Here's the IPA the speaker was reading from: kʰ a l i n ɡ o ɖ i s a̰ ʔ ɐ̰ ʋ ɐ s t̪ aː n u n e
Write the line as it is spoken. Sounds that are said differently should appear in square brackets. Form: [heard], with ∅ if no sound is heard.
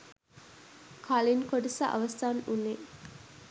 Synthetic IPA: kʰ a l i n [k] o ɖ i s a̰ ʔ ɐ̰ ʋ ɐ s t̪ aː n u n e